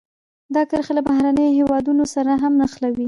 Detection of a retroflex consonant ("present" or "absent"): absent